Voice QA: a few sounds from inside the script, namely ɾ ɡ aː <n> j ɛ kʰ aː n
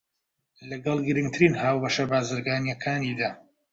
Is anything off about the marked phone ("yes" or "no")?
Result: no